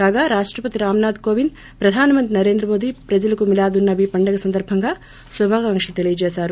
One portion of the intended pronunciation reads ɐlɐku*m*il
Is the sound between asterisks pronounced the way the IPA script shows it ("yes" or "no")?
yes